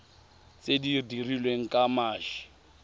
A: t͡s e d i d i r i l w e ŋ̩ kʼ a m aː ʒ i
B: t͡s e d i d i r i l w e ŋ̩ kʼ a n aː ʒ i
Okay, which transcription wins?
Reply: A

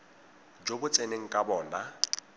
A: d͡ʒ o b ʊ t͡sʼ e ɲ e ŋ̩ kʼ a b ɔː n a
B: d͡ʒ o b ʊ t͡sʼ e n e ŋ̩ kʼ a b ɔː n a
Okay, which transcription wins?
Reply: B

